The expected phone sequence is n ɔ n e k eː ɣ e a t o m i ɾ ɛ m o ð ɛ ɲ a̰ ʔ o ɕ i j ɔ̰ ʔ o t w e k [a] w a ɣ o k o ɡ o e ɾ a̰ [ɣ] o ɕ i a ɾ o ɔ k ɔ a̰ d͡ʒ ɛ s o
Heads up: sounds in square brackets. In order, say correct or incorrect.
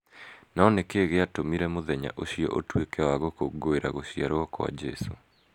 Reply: incorrect, correct

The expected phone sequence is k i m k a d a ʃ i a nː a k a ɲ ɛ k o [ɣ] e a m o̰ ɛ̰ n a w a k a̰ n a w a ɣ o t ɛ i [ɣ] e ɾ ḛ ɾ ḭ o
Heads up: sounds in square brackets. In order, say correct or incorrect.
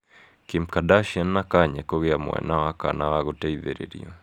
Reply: correct, incorrect

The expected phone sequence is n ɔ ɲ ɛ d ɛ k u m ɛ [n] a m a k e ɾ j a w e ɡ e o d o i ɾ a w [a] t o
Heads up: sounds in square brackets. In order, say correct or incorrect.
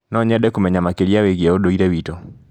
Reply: incorrect, incorrect

